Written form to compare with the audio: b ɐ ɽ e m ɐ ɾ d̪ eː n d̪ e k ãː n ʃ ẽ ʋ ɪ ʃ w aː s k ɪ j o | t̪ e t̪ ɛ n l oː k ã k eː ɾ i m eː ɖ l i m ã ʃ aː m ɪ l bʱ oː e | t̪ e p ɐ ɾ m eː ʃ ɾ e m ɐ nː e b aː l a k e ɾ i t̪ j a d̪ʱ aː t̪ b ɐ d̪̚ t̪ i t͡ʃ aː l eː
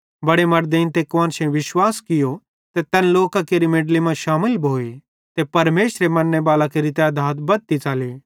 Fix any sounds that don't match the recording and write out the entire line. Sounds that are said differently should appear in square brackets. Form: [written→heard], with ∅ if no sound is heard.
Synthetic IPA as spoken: b ɐ ɽ e m ɐ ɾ d̪ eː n [d̪→t̪] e k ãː n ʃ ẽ ʋ ɪ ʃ w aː s k ɪ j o | t̪ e t̪ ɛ n l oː k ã k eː ɾ i m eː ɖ l i m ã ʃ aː m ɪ l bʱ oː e | t̪ e p ɐ ɾ m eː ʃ ɾ e m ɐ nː e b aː l a k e ɾ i t̪ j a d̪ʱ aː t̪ b ɐ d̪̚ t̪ i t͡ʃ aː l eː